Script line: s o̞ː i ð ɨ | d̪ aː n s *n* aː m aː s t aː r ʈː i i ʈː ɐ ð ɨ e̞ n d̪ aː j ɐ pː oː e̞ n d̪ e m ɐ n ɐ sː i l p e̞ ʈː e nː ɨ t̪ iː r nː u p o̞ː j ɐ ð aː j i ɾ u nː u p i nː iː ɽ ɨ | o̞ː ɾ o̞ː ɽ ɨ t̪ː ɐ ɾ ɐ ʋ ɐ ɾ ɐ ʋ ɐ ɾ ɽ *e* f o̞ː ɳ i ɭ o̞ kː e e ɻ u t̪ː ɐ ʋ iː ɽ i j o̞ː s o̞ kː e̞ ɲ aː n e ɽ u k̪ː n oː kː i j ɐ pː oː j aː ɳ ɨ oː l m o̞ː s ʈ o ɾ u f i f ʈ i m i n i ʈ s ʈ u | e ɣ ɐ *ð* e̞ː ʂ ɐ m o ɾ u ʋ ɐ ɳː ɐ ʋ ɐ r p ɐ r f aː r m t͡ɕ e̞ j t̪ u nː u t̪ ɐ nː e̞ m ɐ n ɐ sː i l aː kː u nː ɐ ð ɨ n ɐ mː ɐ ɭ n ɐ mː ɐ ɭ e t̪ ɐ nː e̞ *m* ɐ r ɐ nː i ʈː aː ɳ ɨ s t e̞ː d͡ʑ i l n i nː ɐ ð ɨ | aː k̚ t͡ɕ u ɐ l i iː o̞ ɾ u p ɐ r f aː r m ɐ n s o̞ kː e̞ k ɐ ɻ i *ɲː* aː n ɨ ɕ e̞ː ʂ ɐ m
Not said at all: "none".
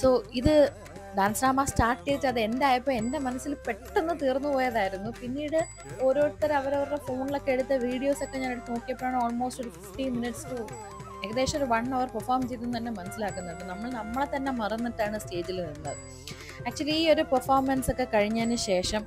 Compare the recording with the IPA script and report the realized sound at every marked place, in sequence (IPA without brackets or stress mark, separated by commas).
n, e, ð, m, ɲː